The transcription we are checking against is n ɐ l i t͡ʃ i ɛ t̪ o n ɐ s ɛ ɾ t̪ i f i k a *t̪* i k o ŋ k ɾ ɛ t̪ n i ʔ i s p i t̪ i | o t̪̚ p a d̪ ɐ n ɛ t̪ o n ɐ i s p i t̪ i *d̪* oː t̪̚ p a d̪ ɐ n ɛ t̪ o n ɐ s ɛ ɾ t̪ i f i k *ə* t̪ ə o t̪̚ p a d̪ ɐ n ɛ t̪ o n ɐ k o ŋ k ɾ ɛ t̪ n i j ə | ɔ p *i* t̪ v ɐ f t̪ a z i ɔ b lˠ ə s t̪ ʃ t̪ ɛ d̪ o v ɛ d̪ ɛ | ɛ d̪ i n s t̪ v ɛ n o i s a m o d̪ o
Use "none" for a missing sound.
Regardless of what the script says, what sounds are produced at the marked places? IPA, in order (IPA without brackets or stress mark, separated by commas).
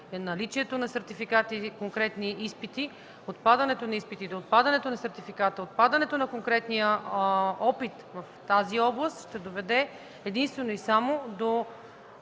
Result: t̪, d̪, a, i